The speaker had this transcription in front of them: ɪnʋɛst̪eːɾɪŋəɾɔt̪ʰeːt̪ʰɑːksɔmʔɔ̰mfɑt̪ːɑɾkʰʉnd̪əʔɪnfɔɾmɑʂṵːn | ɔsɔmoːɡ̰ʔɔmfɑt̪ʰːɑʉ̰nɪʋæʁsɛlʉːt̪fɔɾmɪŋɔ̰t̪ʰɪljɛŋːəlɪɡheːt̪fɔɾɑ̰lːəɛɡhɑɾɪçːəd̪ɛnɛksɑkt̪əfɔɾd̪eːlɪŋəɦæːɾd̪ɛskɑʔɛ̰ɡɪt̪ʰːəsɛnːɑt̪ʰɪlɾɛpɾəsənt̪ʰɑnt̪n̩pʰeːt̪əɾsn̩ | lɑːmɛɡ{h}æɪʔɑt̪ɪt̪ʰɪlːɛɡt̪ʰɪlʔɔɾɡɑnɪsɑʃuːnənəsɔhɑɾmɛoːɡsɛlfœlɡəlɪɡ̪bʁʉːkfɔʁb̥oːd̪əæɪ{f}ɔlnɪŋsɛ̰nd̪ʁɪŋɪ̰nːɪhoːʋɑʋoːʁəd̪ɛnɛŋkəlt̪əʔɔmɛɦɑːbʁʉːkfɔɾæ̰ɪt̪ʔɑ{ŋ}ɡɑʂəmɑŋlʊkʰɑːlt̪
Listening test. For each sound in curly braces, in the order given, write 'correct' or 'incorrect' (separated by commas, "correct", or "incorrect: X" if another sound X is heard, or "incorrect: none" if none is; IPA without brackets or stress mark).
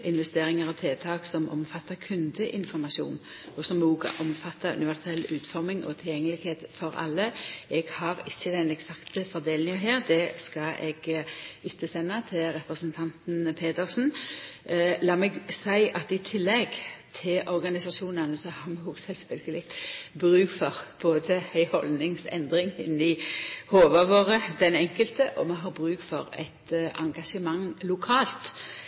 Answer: incorrect: s, incorrect: h, correct